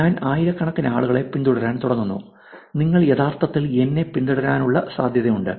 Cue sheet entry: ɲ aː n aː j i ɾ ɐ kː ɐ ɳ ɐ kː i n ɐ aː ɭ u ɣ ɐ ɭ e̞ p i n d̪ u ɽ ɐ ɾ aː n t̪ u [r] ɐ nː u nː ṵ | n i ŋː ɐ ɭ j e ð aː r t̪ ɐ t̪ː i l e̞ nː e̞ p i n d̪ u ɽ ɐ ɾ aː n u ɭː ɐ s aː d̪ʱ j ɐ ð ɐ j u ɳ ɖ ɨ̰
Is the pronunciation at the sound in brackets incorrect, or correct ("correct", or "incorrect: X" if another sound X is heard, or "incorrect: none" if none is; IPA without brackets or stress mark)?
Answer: incorrect: ɽ